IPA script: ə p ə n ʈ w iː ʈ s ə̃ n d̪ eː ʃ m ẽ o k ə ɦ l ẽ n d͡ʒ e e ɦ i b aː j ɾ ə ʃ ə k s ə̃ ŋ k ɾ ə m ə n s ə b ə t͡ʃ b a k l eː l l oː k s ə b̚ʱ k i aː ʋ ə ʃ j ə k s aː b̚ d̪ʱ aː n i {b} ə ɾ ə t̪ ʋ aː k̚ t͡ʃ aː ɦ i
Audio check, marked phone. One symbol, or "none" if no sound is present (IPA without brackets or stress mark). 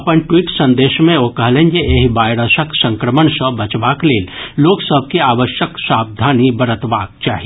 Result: b